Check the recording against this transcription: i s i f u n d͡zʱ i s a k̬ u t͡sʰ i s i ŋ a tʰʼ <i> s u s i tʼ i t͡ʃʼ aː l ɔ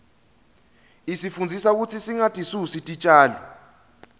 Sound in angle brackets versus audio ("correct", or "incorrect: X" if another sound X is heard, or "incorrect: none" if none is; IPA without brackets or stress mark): correct